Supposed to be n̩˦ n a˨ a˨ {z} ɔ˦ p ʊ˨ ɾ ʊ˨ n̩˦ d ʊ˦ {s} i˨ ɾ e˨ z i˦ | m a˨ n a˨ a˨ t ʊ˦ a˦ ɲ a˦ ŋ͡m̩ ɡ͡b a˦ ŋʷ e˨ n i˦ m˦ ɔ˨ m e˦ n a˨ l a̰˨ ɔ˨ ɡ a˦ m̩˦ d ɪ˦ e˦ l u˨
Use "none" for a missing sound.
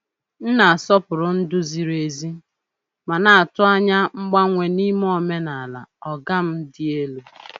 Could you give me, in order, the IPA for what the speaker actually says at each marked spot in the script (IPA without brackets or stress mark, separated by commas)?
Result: s, z